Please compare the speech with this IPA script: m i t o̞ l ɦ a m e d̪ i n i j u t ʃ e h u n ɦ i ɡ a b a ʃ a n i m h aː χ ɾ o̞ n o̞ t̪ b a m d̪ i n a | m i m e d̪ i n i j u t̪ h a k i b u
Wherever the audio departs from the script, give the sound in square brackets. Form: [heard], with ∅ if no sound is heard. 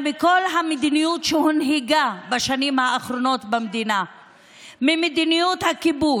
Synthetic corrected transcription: m i [k] o̞ l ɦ a m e d̪ i n i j u t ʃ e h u n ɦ i ɡ a b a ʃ a n i m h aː χ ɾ o̞ n o̞ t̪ b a m d̪ i n a | m i m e d̪ i n i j u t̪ h a k i b u